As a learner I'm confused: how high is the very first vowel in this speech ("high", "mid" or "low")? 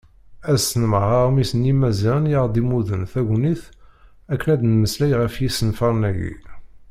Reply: low